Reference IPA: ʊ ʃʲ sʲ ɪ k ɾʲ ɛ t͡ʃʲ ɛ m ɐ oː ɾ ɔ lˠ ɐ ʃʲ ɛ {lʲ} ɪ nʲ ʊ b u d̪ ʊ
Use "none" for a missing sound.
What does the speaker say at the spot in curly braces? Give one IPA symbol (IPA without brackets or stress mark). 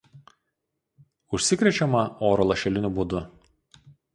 lʲ